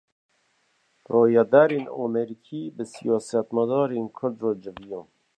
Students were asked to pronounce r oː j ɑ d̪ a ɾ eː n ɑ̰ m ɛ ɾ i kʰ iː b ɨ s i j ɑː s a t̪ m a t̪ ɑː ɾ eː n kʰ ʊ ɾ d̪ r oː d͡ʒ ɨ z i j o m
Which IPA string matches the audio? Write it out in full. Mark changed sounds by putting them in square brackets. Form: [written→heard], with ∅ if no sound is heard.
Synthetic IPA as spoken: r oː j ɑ d̪ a ɾ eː n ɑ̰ m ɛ ɾ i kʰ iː b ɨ s i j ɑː s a t̪ m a [t̪→d̪] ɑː ɾ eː n kʰ ʊ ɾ d̪ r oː d͡ʒ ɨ [z→v] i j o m